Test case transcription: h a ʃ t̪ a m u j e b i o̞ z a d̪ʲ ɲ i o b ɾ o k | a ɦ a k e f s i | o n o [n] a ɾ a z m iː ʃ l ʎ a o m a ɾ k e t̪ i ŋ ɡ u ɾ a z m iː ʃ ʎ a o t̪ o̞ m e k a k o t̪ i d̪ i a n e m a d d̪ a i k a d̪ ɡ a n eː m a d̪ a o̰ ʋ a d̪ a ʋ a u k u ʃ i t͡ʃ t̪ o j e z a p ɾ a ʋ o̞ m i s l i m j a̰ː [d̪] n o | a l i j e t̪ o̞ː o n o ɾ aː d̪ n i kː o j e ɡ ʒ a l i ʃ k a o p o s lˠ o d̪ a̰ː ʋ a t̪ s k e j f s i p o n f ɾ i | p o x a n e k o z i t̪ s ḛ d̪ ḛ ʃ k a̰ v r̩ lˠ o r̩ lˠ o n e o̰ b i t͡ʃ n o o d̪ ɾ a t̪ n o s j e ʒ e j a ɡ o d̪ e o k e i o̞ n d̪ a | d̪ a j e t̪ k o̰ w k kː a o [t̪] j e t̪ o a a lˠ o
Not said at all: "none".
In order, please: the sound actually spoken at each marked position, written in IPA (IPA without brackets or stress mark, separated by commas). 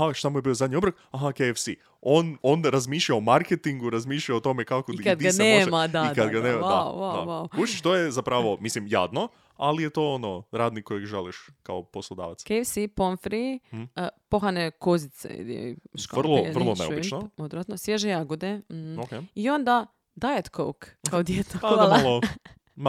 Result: n, d̪, d̪